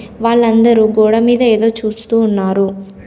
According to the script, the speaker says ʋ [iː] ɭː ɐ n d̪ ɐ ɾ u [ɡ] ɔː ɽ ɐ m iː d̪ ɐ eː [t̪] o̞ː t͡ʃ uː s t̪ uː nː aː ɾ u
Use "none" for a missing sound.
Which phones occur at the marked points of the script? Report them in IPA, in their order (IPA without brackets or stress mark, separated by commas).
aː, ɡ, d̪